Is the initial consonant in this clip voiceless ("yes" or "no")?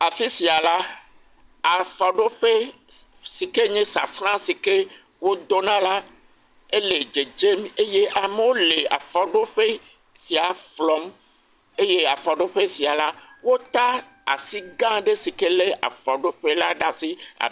yes